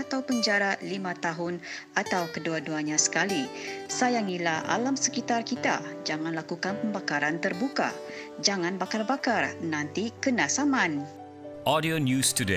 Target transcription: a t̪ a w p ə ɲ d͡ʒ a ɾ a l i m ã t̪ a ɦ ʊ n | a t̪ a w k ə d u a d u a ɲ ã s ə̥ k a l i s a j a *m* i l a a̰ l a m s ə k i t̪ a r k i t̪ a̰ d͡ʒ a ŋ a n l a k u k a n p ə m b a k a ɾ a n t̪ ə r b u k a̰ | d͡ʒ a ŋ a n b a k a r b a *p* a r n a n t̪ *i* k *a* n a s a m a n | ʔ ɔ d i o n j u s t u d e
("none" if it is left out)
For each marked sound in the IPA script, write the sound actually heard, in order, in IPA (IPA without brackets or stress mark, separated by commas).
ŋ, k, i, ə